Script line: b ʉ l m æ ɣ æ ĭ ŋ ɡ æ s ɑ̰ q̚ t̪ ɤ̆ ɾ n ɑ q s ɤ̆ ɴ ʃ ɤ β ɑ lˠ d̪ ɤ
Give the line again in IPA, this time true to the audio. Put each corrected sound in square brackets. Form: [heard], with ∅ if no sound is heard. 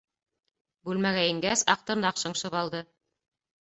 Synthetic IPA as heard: b ʉ l m æ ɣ æ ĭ ŋ ɡ æ s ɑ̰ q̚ t̪ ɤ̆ ɾ n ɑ q [ʃ] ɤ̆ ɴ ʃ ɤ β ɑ lˠ d̪ ɤ